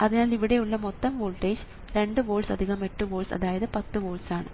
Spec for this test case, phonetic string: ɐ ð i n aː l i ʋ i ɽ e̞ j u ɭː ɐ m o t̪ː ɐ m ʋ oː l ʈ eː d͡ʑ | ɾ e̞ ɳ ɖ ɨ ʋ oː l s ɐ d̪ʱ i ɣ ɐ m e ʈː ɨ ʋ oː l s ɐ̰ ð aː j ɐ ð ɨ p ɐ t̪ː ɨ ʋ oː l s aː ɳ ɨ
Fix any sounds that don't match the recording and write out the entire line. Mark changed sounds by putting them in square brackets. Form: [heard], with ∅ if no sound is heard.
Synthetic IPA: ɐ ð i n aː l i ʋ i ɽ e̞ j u ɭː ɐ m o t̪ː ɐ m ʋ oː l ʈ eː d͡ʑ | ɾ e̞ ɳ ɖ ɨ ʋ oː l s ɐ d̪ʱ i ɣ ɐ m e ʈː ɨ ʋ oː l s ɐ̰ ð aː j ɐ ð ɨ p ɐ t̪ː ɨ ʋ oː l s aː ɳ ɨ